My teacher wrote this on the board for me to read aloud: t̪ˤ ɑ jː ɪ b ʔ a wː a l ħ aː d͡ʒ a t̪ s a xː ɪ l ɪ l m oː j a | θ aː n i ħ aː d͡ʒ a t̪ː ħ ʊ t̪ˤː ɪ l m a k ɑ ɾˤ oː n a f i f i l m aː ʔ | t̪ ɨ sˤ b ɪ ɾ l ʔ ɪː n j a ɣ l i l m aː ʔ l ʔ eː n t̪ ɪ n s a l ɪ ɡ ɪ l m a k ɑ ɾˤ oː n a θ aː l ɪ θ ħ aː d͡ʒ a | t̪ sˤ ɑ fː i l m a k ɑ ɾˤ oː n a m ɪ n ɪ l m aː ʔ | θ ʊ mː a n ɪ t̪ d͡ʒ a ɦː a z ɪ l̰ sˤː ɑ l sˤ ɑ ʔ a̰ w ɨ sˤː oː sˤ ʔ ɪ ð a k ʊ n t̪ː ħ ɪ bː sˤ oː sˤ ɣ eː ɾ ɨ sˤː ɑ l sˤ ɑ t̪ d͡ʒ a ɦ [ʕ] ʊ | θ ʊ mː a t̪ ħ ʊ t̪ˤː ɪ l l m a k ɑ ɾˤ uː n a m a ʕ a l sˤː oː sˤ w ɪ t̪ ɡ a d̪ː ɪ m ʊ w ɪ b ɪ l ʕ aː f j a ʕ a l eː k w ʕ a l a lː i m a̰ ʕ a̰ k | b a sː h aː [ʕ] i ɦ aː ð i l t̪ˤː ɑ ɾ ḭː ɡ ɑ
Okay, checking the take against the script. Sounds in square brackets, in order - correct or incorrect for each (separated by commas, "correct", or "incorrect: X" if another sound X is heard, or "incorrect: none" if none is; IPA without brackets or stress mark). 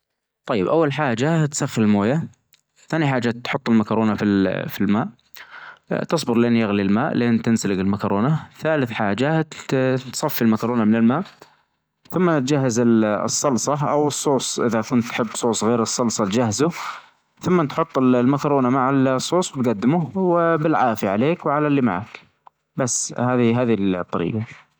incorrect: z, incorrect: ð